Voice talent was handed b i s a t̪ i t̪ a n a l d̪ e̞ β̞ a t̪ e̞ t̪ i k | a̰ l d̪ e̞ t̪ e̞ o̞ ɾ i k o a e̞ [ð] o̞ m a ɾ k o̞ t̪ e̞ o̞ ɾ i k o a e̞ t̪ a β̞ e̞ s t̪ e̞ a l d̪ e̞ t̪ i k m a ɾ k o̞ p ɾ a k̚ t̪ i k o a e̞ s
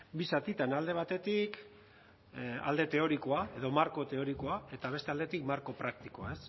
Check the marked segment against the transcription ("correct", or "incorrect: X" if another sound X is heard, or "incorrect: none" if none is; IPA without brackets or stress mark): correct